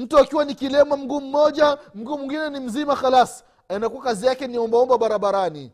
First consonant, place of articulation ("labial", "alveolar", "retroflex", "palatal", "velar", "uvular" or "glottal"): labial